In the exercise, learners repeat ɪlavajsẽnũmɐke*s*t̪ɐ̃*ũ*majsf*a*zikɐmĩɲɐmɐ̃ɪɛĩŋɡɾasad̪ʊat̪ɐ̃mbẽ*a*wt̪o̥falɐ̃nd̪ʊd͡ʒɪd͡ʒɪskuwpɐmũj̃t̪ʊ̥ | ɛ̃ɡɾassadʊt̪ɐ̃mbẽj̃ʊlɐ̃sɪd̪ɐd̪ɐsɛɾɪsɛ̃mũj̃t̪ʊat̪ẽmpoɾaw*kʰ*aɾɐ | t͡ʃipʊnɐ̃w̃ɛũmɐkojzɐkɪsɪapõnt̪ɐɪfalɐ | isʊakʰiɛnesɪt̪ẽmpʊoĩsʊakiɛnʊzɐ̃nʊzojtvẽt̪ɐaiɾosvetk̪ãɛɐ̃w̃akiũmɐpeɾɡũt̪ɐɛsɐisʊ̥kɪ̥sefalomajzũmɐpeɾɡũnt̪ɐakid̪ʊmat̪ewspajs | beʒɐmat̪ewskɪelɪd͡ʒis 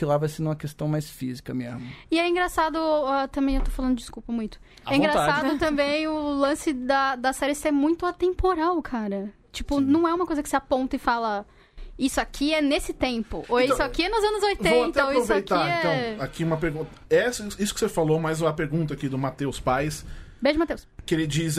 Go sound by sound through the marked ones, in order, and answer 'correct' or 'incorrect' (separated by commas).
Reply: correct, incorrect, incorrect, incorrect, correct